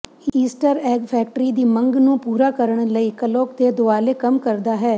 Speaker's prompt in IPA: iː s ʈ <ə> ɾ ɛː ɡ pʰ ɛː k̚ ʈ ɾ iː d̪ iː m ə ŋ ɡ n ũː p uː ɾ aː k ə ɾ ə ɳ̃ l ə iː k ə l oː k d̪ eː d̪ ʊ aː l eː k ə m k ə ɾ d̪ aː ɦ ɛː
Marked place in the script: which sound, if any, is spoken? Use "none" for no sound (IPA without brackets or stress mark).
ə